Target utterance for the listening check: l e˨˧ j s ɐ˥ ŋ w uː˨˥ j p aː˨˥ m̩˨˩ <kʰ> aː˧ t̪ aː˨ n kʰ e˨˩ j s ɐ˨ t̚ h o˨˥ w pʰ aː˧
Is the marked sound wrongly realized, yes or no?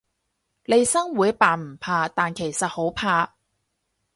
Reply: yes